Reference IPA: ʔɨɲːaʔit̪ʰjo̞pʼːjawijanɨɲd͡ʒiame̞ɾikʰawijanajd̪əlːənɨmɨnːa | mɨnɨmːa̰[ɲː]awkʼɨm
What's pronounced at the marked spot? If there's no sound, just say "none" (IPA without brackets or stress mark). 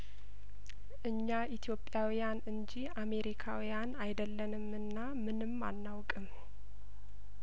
nː